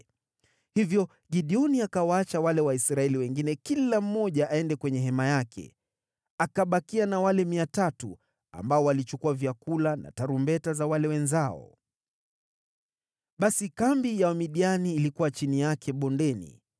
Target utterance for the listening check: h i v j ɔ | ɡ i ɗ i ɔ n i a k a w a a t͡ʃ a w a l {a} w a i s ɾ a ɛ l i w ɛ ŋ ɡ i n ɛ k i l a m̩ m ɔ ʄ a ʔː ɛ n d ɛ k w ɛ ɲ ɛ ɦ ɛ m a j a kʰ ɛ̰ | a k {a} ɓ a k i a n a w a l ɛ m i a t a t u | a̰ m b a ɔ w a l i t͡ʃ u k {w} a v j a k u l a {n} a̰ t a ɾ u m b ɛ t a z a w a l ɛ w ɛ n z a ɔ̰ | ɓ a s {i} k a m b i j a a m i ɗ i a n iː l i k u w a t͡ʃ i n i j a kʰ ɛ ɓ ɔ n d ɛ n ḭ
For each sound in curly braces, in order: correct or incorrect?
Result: incorrect: ɛ, correct, incorrect: u, correct, correct

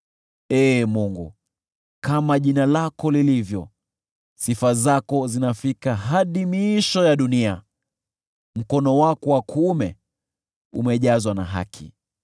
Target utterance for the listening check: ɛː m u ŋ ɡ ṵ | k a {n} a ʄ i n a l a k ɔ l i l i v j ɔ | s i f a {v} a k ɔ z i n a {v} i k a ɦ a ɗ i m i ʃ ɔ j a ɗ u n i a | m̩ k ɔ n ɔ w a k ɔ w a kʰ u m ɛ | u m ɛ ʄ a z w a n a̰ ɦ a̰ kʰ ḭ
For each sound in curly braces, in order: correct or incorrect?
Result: incorrect: m, incorrect: z, incorrect: f

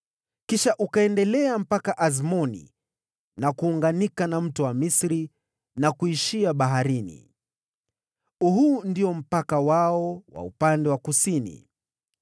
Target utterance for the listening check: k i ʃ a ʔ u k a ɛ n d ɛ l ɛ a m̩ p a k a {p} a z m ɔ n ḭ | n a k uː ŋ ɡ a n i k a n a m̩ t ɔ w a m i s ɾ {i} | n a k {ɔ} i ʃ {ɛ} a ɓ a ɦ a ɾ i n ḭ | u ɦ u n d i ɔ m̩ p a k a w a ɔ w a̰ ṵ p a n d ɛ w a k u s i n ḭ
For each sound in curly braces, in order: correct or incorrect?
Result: incorrect: ʔ, correct, incorrect: u, incorrect: i

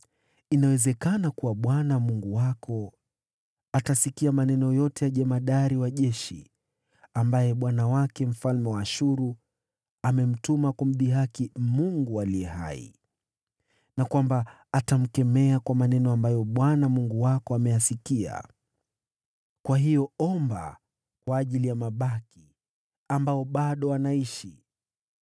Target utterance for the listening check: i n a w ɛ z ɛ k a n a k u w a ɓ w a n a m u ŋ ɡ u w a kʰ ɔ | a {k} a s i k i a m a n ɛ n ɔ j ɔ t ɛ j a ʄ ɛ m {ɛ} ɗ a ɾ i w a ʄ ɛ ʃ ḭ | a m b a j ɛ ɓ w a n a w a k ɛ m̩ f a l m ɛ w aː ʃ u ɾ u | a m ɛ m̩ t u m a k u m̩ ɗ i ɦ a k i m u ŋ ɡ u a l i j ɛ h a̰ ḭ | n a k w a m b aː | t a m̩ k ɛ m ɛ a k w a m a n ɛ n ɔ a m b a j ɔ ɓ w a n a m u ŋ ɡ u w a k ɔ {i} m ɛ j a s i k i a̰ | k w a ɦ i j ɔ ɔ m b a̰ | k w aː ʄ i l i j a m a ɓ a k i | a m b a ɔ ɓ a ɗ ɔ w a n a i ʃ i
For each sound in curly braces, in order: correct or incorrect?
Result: incorrect: t, incorrect: a, incorrect: a

